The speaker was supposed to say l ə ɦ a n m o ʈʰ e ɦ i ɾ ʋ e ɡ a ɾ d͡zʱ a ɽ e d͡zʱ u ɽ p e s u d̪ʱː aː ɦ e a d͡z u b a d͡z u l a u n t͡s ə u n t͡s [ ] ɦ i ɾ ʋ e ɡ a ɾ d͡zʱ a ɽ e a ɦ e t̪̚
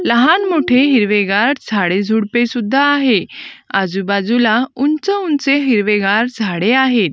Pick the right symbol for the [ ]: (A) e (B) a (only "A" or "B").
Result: A